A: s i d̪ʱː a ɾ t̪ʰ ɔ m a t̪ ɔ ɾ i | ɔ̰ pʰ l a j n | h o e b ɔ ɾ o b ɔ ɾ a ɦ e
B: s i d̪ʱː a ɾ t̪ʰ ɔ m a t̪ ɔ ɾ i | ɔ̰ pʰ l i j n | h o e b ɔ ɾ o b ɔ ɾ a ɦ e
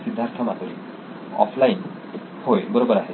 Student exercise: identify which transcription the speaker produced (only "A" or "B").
A